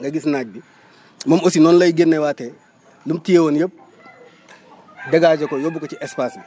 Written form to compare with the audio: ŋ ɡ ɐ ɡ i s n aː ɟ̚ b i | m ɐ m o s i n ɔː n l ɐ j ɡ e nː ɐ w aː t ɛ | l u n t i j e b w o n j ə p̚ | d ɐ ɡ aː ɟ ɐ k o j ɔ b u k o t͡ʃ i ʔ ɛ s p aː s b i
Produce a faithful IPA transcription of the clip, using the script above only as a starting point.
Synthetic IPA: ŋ ɡ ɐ ɡ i s n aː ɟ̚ b i | m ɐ m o s i n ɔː n l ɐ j ɡ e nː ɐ w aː t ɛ | l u m t i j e w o n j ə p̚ | d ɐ ɡ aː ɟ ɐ k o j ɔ b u k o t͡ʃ i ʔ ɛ s p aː s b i

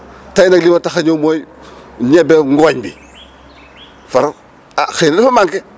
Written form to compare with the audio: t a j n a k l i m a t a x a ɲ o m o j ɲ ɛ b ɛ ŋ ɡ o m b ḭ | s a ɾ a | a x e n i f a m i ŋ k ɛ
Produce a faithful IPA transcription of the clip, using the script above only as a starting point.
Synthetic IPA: t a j n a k l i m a t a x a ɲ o m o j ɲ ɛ b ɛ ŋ ɡ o ɲ b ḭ | f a ɾ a | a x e n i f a m a ŋ k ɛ

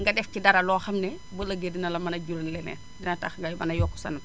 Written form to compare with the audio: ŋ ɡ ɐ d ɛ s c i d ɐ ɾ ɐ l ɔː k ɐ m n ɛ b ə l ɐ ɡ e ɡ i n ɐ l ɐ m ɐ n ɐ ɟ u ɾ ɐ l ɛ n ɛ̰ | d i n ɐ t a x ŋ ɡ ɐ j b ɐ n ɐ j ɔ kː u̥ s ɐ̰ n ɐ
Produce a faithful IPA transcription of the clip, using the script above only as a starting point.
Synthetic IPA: ŋ ɡ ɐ d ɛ f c i d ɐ ɾ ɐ l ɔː x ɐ m n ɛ b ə l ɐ ɡ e d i n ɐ l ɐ m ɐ n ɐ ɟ u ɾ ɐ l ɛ n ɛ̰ | d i n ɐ t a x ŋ ɡ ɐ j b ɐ n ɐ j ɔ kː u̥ s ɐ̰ n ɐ

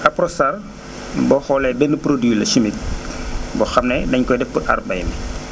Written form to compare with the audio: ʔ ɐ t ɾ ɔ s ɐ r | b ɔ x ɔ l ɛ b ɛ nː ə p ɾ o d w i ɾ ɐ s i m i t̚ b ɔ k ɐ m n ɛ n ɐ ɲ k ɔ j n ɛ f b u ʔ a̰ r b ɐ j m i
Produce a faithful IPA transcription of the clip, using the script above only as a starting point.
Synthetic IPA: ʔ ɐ p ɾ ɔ s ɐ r | b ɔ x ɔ l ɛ b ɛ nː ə p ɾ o d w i l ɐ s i m i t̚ b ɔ x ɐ m n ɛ d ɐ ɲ k ɔ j d ɛ f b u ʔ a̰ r b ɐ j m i

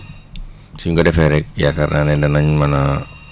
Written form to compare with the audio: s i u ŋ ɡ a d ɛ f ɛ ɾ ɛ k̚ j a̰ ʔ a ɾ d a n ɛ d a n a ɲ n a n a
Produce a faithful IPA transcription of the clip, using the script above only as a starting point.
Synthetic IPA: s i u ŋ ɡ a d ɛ f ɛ ɾ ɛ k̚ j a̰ k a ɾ n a n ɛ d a n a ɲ m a n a

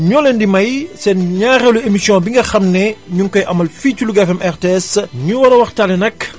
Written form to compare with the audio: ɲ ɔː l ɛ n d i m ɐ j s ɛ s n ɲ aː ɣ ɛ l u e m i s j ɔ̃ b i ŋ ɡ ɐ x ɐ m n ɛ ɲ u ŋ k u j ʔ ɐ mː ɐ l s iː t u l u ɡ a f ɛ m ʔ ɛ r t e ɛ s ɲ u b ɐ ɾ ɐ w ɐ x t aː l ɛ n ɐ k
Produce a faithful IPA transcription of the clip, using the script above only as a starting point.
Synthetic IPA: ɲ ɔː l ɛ n d i m ɐ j s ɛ n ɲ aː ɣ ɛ l u e m i s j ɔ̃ b i ŋ ɡ ɐ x ɐ m n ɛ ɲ u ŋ k ɔ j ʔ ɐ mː ɐ l f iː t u l u ɡ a f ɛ m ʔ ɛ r t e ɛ s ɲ u w ɐ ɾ ɐ w ɐ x t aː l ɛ n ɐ k

